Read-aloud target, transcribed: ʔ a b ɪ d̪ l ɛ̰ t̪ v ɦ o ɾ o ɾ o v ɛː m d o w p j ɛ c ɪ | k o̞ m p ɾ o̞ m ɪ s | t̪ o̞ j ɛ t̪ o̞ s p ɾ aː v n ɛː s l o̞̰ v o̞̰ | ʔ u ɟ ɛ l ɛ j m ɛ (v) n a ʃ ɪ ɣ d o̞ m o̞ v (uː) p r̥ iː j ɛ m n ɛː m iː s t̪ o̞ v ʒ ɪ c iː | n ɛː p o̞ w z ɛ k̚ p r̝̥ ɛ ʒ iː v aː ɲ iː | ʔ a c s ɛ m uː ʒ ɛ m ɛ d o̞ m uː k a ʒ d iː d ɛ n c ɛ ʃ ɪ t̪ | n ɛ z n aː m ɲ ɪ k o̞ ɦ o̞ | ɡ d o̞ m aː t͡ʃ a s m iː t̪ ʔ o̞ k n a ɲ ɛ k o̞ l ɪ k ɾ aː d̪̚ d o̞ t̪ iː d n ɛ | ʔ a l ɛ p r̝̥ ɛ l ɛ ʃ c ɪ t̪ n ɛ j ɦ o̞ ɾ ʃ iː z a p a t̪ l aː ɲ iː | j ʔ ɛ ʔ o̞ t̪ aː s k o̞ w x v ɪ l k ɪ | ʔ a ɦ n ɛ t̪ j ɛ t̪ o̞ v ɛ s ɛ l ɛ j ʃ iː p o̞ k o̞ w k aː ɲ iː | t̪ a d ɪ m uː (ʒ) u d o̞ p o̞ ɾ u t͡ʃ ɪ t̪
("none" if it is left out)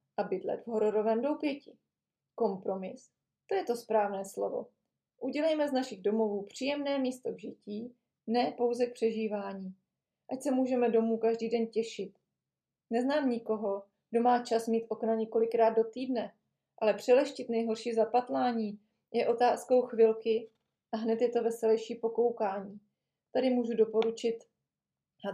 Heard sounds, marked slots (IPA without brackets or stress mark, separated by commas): z, uː, ʒ